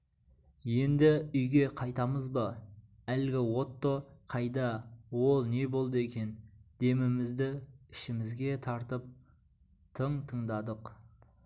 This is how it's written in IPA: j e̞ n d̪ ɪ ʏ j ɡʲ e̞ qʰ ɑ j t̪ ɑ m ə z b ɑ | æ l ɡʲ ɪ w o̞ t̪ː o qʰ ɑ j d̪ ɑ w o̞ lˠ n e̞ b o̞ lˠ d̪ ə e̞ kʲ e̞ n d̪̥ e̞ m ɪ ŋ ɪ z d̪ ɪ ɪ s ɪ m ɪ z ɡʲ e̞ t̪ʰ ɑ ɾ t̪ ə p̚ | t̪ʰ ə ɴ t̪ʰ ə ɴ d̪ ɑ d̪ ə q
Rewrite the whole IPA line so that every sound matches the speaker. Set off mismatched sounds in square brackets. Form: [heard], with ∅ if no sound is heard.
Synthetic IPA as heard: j e̞ n d̪ ɪ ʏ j ɡʲ e̞ qʰ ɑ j t̪ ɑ m ə z b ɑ | æ l ɡʲ ɪ w o̞ t̪ː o qʰ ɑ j d̪ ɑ w o̞ lˠ n e̞ b o̞ lˠ d̪ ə e̞ kʲ e̞ n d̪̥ e̞ m ɪ [m] ɪ z d̪ ɪ ɪ [ʃ] ɪ m ɪ z ɡʲ e̞ t̪ʰ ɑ ɾ t̪ ə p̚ | t̪ʰ ə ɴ t̪ʰ ə ɴ d̪ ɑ d̪ ə q